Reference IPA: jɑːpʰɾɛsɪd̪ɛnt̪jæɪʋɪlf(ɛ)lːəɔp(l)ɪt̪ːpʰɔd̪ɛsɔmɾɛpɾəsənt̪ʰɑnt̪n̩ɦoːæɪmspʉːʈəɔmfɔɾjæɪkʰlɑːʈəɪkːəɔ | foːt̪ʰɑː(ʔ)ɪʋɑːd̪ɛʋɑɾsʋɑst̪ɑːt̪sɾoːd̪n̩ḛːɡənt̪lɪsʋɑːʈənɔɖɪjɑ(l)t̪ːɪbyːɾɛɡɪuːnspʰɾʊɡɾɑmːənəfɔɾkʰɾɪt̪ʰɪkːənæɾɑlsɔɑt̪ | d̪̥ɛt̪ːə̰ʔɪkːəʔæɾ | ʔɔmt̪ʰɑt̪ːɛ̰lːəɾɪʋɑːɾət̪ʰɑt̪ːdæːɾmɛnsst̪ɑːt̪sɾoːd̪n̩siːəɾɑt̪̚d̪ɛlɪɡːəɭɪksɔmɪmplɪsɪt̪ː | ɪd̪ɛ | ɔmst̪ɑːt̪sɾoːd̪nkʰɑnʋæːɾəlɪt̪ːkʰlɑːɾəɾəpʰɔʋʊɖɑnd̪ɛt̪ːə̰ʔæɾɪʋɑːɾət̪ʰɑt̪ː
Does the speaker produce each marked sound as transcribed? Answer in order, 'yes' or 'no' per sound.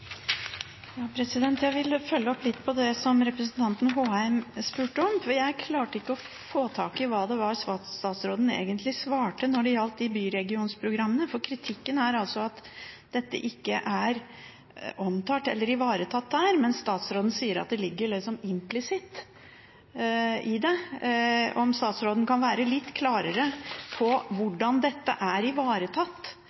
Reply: no, yes, no, yes

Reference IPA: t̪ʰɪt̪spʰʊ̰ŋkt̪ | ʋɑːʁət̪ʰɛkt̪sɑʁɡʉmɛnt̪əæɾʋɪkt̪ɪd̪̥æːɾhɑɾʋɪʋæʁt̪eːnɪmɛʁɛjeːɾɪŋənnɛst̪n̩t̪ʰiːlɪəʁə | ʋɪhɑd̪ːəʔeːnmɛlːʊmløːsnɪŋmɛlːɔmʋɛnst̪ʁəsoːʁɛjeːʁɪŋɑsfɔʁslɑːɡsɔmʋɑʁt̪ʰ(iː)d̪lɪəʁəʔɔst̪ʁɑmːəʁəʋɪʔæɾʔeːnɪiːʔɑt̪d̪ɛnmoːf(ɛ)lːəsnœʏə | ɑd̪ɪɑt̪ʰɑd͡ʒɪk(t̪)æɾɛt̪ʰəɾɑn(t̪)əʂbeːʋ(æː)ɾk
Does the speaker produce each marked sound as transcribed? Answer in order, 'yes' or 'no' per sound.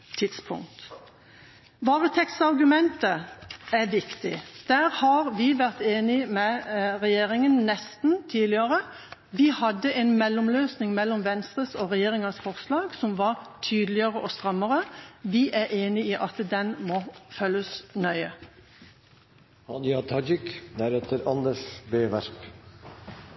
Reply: no, no, no, no, no

